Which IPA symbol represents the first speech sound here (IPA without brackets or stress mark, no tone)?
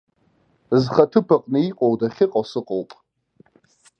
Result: z